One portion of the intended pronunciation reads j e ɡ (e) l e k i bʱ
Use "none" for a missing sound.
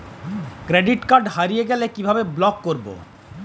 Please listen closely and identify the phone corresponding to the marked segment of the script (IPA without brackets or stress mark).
ɛ